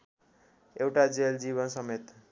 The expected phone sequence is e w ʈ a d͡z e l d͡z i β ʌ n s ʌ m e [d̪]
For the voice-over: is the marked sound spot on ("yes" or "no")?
no